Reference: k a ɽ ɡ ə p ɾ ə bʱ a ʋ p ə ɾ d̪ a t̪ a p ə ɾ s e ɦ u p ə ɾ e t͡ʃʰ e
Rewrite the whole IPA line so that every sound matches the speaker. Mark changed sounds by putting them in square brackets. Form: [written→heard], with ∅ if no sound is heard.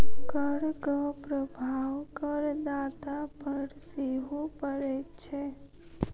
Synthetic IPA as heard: k [a→ə] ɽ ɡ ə p ɾ ə bʱ a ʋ [p→k] ə ɾ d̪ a t̪ a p ə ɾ s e ɦ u p ə ɾ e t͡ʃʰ e